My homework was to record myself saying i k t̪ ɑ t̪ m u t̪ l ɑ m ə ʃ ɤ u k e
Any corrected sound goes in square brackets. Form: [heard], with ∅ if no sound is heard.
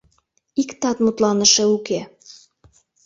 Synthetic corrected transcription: i k t̪ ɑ t̪ m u t̪ l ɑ [n] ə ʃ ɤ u k e